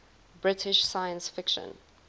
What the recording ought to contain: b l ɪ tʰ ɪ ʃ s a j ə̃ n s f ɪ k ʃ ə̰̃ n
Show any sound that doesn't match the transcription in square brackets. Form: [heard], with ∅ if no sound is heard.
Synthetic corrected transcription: b [ɹ] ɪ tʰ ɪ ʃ s a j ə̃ n s f ɪ k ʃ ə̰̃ n